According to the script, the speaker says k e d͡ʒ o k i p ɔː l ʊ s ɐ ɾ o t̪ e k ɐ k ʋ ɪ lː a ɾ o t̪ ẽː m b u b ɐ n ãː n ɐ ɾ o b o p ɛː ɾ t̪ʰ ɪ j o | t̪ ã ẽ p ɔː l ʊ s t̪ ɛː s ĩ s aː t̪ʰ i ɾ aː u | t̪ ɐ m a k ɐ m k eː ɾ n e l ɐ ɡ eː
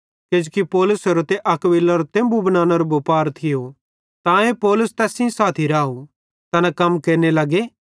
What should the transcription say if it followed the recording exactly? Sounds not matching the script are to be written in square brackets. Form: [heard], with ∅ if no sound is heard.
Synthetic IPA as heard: k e d͡ʒ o k i p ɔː l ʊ s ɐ ɾ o t̪ e [ʔ] ɐ k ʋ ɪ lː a ɾ o t̪ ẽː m b u b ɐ n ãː n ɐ ɾ o b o p [aː] ɾ t̪ʰ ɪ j o | t̪ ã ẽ p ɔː l ʊ s t̪ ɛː s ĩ s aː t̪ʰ i ɾ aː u | t̪ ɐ [n] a k ɐ m k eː ɾ n e l ɐ ɡ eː

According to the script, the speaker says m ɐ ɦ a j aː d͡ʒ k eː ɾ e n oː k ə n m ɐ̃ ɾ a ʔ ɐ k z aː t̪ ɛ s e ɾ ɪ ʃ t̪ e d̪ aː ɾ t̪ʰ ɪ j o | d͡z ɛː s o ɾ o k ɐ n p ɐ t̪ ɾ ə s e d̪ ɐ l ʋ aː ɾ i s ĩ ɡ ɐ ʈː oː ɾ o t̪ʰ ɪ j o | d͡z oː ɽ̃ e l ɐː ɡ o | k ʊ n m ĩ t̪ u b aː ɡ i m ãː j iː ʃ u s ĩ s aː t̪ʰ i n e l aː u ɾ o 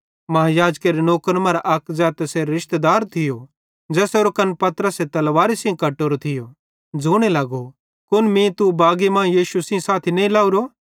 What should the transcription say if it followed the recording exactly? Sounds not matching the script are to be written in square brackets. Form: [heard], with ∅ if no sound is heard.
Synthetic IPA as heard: m ɐ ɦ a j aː d͡ʒ k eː ɾ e n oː k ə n m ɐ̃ ɾ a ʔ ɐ k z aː t̪ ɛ s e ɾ ɪ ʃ t̪ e d̪ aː ɾ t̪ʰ ɪ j o | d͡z ɛː s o ɾ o k ɐ n p ɐ t̪ ɾ ə s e [t̪] ɐ l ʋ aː ɾ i s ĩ [k] ɐ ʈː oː ɾ o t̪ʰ ɪ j o | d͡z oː ɽ̃ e l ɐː ɡ o | k ʊ n m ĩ t̪ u b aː ɡ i m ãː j iː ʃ u s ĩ s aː t̪ʰ i n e l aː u ɾ o

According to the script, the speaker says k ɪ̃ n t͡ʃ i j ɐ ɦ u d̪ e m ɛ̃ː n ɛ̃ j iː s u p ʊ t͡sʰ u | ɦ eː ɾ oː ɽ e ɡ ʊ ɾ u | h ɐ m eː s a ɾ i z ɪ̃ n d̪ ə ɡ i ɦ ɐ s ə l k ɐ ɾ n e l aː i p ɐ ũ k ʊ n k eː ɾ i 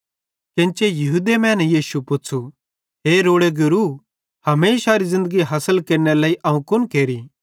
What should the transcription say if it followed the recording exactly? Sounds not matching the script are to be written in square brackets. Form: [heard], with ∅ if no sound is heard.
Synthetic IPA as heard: k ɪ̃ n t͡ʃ [e] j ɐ ɦ u d̪ e m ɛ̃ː n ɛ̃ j iː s u p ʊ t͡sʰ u | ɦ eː ɾ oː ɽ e ɡ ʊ ɾ u | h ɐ m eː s a ɾ i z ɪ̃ n d̪ ə ɡ i ɦ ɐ s ə l k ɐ ɾ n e l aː i [ʔ] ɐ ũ k ʊ n k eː ɾ i

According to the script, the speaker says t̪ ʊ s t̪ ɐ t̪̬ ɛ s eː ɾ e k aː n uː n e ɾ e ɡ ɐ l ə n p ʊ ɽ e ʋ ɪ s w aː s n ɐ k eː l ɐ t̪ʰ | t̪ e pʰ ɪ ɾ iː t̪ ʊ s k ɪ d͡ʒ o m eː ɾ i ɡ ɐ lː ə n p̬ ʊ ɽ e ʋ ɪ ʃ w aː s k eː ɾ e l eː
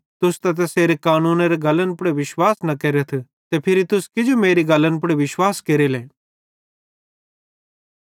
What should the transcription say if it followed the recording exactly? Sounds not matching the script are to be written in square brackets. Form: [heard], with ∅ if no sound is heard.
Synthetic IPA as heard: t̪ ʊ s t̪ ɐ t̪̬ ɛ s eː ɾ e k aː n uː n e ɾ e ɡ ɐ l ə n p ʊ ɽ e ʋ ɪ [ʃ] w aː s n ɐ k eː [ɾ] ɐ t̪ʰ | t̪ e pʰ ɪ ɾ [i] t̪ ʊ s k ɪ d͡ʒ o m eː ɾ i ɡ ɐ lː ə n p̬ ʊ ɽ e ʋ ɪ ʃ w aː s k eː ɾ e l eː

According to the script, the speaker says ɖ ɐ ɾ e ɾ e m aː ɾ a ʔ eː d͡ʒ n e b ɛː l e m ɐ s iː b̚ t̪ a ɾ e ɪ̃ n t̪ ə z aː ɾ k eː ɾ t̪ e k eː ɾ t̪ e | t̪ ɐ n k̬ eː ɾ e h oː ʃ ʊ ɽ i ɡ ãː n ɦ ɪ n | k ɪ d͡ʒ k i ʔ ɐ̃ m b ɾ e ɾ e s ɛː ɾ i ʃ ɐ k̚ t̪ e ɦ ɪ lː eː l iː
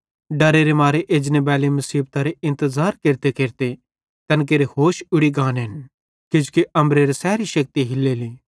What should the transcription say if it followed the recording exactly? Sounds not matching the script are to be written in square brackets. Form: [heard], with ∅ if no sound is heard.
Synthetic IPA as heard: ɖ ɐ ɾ e ɾ e m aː ɾ [e] ʔ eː d͡ʒ n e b ɛː l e m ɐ s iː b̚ t̪ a ɾ e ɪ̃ n t̪ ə z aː ɾ k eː ɾ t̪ e k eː ɾ t̪ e | t̪ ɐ n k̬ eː ɾ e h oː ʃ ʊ ɽ i ɡ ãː n ɦ ɪ n | k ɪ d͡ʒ k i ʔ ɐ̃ m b ɾ e ɾ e s ɛː ɾ i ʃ ɐ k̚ t̪ [i] ɦ ɪ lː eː l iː

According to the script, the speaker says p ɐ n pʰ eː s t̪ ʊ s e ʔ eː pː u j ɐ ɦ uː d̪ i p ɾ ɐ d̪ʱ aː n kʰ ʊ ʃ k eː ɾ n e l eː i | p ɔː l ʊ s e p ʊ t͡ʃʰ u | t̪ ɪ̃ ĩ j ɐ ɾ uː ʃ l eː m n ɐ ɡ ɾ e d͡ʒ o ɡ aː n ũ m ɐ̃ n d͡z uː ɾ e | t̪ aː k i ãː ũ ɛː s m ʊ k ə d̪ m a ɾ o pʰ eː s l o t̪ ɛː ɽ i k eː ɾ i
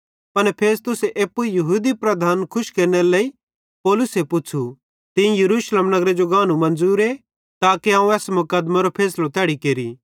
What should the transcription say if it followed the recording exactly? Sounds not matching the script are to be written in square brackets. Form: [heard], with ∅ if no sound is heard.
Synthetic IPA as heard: p ɐ n pʰ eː s t̪ ʊ s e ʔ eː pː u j ɐ ɦ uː d̪ i p ɾ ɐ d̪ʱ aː n kʰ ʊ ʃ k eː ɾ n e l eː i | p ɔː l ʊ s e p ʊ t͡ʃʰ u | t̪ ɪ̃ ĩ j ɐ ɾ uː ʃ l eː m n ɐ ɡ ɾ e d͡ʒ o ɡ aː n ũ m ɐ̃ n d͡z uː ɾ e | t̪ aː k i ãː ũ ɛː s m ʊ k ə d̪ m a ɾ o pʰ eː s l o t̪ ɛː ɽ i k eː ɾ i

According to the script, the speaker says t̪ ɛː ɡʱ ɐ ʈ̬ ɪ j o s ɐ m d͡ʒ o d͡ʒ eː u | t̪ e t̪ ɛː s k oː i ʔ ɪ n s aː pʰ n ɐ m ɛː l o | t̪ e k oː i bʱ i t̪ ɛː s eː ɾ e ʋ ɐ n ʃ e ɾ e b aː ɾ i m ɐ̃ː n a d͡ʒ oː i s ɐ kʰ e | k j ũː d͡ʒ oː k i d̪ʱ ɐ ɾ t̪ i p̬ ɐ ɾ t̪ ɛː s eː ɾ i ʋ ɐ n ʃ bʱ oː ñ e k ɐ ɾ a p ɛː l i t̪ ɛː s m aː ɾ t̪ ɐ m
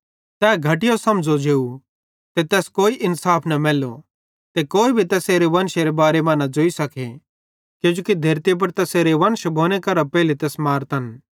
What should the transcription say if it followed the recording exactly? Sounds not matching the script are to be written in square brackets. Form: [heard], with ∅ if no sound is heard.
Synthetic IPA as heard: t̪ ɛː ɡʱ ɐ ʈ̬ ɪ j o s ɐ m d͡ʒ o d͡ʒ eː u | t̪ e t̪ ɛː s k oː i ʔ ɪ n s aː pʰ n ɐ m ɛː l o | t̪ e k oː i bʱ i t̪ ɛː s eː ɾ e ʋ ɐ n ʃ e ɾ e b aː ɾ [e] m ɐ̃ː n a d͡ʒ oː i s ɐ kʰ e | k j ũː d͡ʒ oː k i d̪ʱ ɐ ɾ t̪ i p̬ ɐ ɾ t̪ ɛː s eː ɾ [e] ʋ ɐ n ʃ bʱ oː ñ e k ɐ ɾ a p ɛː l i t̪ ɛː s m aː ɾ t̪ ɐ [n]

